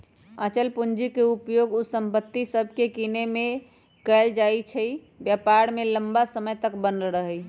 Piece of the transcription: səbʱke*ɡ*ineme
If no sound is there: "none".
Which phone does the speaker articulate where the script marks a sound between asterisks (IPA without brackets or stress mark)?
k